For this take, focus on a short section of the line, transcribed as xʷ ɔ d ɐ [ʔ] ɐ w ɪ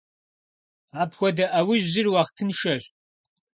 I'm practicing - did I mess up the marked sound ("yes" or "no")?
no